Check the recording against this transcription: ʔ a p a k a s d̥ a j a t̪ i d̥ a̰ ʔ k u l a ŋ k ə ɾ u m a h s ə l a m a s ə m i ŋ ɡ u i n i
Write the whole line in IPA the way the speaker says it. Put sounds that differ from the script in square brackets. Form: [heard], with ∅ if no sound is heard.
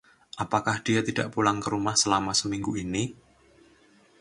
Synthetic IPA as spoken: ʔ a p a k a [h] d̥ [i] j a t̪ i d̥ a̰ ʔ [p] u l a ŋ k ə ɾ u m a h s ə l a m a s ə m i ŋ ɡ u i n i